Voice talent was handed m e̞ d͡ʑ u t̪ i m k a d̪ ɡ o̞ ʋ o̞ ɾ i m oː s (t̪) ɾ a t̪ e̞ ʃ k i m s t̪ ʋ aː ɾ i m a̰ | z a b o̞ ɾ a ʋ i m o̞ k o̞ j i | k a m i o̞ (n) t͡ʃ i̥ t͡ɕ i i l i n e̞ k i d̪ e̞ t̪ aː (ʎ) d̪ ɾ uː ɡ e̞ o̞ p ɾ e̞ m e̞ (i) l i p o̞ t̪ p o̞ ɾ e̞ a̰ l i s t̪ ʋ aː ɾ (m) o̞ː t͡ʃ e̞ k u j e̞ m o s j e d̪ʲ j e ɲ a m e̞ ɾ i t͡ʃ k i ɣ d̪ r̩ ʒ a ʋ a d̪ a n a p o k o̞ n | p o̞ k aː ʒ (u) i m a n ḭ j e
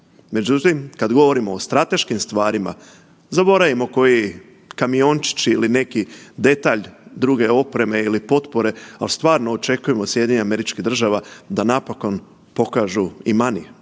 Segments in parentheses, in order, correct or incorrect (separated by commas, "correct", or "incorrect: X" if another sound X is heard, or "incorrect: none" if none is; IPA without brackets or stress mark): correct, correct, correct, correct, incorrect: n, correct